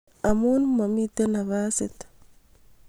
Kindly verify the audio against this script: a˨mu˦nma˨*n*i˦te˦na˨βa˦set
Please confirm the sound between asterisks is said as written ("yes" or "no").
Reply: no